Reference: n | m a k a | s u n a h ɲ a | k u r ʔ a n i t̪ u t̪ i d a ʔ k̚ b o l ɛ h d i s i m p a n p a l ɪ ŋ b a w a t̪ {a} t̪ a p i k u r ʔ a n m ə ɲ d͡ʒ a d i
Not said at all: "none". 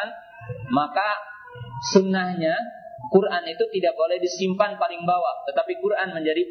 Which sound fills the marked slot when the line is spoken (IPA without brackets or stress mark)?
ə